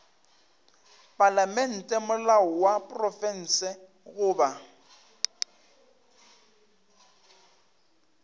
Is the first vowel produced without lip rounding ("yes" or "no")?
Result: yes